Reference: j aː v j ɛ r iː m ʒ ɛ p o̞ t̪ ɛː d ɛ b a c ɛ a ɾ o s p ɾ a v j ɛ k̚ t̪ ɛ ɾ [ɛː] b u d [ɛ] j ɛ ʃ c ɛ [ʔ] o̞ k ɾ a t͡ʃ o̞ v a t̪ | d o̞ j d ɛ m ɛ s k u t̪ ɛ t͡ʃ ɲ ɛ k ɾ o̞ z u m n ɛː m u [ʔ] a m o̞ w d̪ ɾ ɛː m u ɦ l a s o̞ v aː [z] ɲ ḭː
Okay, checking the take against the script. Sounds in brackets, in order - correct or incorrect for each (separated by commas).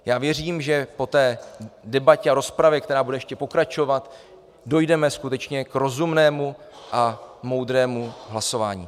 incorrect, correct, incorrect, correct, incorrect